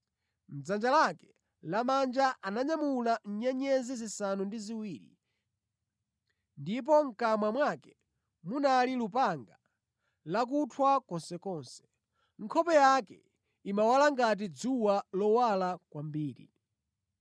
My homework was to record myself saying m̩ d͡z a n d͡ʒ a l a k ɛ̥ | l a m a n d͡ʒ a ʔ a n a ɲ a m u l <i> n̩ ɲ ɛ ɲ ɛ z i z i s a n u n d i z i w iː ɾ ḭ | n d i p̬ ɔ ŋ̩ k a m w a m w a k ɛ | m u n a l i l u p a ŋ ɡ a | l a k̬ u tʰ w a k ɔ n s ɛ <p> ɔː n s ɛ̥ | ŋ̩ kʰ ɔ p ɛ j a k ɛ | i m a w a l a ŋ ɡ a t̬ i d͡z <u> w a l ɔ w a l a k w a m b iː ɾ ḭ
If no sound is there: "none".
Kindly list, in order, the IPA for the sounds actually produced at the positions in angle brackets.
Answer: a, k, u

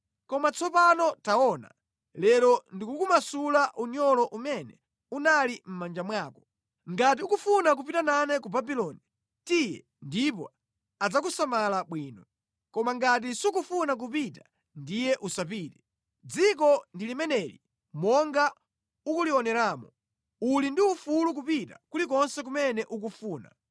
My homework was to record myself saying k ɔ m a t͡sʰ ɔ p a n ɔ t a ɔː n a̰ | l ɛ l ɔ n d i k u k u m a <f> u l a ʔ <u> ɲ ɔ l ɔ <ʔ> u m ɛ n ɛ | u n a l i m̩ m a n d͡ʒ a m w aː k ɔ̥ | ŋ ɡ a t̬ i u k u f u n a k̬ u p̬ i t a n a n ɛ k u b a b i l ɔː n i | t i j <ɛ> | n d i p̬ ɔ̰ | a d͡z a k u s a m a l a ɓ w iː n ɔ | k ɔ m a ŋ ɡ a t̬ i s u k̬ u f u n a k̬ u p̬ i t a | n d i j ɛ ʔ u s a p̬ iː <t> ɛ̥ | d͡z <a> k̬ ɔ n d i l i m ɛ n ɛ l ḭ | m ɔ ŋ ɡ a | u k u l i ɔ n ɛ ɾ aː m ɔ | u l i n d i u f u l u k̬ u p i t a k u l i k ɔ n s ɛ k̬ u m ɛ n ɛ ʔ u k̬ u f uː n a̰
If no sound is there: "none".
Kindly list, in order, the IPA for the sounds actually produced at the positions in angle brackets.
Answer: s, u, ʔ, ɛ, t, i

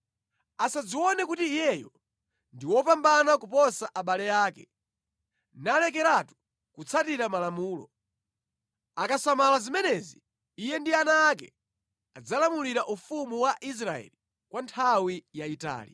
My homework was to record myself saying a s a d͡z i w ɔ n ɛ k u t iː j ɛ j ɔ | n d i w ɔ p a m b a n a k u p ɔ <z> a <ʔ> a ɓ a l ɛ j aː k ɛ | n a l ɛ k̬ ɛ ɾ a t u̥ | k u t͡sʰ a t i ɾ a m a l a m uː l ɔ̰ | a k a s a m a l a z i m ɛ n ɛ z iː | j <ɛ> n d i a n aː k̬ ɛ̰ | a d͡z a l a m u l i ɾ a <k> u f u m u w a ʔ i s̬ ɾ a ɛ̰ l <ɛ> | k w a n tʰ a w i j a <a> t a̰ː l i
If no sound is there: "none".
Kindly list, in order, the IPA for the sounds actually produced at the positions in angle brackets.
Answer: s, ʔ, ɛ, ʔ, i, i

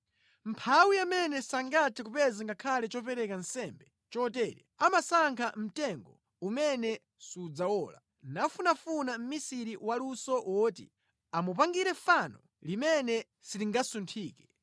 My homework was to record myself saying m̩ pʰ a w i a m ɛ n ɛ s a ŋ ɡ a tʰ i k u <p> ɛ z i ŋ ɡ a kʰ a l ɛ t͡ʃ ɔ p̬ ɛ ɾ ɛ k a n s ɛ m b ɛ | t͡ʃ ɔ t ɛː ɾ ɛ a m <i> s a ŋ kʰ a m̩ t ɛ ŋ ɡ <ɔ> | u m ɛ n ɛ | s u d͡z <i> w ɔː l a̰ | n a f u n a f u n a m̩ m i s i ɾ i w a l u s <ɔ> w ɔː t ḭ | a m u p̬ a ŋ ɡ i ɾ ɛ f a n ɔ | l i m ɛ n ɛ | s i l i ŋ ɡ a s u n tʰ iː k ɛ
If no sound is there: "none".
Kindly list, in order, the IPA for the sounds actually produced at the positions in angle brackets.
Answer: p, a, ɔ, a, ɔ

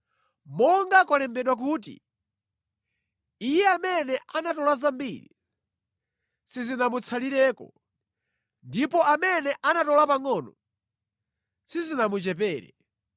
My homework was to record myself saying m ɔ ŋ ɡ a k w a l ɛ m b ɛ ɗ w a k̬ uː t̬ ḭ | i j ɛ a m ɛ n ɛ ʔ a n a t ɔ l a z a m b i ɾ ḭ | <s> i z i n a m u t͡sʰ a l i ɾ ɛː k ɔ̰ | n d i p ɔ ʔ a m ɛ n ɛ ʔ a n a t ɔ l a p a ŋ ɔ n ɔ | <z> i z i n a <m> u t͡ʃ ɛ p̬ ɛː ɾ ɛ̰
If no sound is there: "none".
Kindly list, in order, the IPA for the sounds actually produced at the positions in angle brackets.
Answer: s, s, m

